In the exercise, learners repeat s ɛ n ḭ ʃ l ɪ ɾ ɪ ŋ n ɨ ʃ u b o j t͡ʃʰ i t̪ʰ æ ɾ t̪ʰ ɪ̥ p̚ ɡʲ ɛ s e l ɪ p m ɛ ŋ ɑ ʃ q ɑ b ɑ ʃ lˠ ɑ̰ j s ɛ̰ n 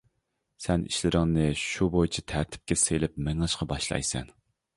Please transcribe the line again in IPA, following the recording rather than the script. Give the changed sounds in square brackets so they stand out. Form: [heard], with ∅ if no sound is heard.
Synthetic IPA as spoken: s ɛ n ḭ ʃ l ɪ ɾ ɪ ŋ n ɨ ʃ u b o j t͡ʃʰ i t̪ʰ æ ɾ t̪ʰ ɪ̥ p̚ [kʲ] ɛ s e l ɪ p m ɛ ŋ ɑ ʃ q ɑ b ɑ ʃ lˠ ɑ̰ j s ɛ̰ n